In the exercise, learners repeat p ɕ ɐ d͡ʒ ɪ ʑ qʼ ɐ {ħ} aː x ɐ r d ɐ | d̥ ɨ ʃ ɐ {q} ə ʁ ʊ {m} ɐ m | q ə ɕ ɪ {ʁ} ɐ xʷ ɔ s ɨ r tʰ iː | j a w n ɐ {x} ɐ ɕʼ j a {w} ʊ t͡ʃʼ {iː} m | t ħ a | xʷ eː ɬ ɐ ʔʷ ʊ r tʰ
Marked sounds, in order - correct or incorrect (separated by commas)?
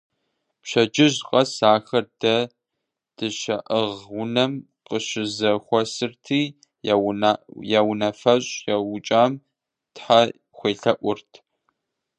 incorrect, incorrect, incorrect, incorrect, incorrect, correct, incorrect